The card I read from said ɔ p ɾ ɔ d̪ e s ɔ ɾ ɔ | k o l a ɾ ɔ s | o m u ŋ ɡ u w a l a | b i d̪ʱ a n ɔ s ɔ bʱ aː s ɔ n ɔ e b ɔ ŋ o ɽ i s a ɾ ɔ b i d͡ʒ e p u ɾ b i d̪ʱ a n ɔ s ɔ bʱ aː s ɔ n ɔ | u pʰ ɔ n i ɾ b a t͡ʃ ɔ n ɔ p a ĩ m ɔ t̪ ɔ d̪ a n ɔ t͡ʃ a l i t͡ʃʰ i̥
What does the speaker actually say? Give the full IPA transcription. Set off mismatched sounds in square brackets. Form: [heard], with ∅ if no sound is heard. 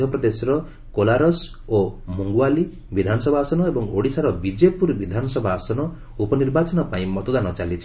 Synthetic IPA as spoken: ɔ p ɾ ɔ d̪ e s ɔ ɾ ɔ | k o l a ɾ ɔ s | o m u ŋ ɡ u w a l [i] | b i d̪ʱ a n ɔ s ɔ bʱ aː s ɔ n ɔ e b ɔ ŋ o ɽ i s a ɾ ɔ b i d͡ʒ e p u ɾ b i d̪ʱ a n ɔ s ɔ bʱ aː s ɔ n ɔ | u [p] ɔ n i ɾ b a t͡ʃ ɔ n ɔ p a ĩ m ɔ t̪ ɔ d̪ a n ɔ t͡ʃ a l i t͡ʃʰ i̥